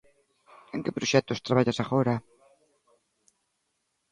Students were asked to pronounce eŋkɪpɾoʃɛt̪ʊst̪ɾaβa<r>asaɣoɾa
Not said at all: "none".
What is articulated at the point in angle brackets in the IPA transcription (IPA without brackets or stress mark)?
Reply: ʎ